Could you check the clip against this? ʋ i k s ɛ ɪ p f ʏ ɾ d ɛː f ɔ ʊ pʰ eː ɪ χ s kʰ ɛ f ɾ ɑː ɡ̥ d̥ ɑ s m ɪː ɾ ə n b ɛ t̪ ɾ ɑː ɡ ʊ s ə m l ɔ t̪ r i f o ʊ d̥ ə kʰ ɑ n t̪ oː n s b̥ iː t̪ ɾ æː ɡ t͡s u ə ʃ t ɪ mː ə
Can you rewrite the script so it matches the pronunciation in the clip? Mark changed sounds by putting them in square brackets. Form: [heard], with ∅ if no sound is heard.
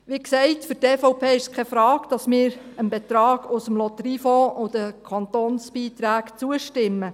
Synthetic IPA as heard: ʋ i k s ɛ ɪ [t] f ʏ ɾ [t] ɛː f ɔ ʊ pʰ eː ɪ [ʃ] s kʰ ɛ f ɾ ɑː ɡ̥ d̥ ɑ s m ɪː ɾ ə n b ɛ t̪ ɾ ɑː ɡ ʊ s ə m l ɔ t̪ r i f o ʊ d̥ ə kʰ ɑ n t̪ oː n s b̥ iː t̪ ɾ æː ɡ t͡s u ə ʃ t ɪ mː ə

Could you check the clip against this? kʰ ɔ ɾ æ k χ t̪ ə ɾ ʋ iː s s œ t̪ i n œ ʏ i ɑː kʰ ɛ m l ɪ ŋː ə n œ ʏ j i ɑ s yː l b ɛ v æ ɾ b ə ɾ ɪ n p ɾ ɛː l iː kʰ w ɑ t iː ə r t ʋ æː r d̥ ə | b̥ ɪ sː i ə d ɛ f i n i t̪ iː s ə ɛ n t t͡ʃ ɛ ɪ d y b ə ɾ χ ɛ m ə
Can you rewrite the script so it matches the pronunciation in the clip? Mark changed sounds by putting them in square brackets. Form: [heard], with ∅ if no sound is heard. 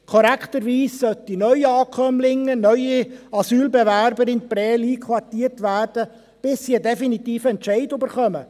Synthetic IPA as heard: kʰ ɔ ɾ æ k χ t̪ ə ɾ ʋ iː s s œ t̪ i n œ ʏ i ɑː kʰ [œ] m l ɪ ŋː ə n œ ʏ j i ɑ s yː l b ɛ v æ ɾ b ə ɾ ɪ n p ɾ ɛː l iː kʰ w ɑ t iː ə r t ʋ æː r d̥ ə | b̥ ɪ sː i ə d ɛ f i n i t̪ iː [f] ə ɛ n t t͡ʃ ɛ ɪ d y b ə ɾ χ [œ] m ə

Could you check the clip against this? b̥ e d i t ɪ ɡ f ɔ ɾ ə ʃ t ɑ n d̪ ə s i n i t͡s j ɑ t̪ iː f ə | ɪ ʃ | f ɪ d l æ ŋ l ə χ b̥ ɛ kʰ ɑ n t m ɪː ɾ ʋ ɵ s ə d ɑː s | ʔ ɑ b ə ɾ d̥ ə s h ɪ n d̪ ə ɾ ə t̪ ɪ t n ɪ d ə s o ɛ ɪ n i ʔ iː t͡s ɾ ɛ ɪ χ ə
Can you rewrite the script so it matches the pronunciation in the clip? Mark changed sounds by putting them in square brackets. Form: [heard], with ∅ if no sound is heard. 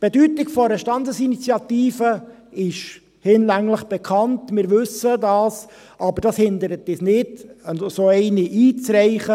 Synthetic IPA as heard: b̥ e d [y] t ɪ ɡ f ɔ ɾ ə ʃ t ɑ n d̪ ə s i n i t͡s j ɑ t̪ iː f ə | ɪ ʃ | [h] ɪ [n] l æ ŋ l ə χ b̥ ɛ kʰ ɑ n t m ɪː ɾ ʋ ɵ s ə d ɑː s | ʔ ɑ b ə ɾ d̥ [ɑ] s h ɪ n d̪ ə ɾ ə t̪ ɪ [s] n ɪ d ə s o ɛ ɪ n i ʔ iː t͡s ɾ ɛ ɪ χ ə

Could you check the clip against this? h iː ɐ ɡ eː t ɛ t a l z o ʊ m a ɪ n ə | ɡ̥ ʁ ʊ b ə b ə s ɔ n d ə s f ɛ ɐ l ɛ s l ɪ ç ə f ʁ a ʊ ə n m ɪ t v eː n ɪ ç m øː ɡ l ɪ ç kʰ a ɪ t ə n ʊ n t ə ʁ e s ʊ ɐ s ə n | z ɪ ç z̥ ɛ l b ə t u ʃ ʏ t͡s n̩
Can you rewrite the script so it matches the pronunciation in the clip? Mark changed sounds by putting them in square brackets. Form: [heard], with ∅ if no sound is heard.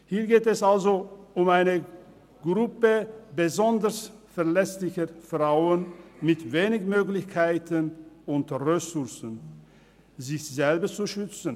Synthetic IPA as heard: h iː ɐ ɡ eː t ɛ [s] a l z o ʊ m a ɪ n ə | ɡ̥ ʁ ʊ [p] ə b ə [z] ɔ n d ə s f ɛ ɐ l ɛ s l ɪ ç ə f ʁ a ʊ ə n m ɪ t v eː n ɪ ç m øː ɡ l ɪ ç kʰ a ɪ t ə n ʊ n t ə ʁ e s ʊ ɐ s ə n | z ɪ ç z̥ ɛ l b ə [t͡s] u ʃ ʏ t͡s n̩

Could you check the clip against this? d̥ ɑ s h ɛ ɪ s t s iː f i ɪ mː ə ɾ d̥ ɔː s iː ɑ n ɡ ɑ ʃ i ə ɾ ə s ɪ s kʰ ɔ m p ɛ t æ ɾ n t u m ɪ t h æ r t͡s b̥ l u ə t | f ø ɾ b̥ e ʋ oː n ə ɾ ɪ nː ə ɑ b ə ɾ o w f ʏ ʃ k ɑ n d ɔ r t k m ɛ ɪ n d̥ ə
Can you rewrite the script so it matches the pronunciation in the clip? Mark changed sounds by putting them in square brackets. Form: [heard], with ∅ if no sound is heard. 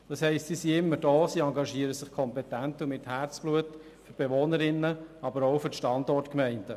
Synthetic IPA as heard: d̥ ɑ s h ɛ ɪ s t s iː [s] i ɪ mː ə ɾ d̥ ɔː s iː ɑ [ŋ] ɡ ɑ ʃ i ə ɾ ə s ɪ [χ] kʰ ɔ m p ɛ t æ [∅] n t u m ɪ t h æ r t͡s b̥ l u ə t | f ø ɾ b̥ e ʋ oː n ə ɾ ɪ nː ə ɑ b ə ɾ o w f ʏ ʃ [t] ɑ n d ɔ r t k m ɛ ɪ n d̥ ə

